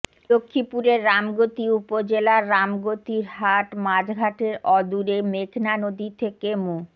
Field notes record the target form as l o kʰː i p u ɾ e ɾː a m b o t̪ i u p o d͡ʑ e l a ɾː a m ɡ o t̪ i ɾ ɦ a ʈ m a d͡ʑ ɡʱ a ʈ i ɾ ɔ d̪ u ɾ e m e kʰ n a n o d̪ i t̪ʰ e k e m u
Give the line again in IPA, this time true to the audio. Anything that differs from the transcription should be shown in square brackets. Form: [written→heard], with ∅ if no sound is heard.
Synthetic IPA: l o kʰː i p u ɾ e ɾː a m [b→ɡ] o t̪ i u p o d͡ʑ e l a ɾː a m ɡ o t̪ i ɾ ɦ a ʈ m a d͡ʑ ɡʱ a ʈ [i→e] ɾ ɔ d̪ u ɾ e m e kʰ n a n o d̪ i t̪ʰ e k e m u